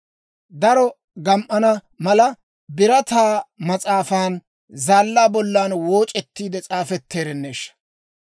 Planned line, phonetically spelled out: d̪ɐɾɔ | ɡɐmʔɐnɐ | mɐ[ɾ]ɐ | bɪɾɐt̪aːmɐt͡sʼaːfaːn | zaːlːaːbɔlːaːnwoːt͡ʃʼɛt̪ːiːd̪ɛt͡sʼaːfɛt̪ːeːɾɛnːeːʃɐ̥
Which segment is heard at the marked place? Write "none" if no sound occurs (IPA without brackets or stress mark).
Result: l